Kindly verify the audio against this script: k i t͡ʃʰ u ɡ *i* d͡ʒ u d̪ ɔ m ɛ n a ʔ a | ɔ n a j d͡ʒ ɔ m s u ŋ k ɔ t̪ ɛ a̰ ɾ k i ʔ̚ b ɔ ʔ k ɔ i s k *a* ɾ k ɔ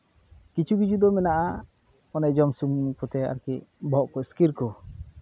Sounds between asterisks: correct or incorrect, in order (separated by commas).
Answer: correct, incorrect